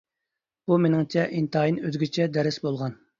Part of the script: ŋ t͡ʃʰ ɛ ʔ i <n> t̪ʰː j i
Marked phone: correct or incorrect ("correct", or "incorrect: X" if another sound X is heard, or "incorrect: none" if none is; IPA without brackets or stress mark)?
correct